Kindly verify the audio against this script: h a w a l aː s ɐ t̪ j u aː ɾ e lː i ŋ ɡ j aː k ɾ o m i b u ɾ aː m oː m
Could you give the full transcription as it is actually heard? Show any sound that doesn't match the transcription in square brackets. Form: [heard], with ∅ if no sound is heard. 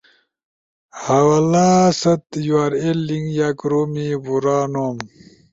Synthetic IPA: h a w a l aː s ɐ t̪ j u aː ɾ e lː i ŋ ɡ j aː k ɾ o m i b u ɾ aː [n] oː m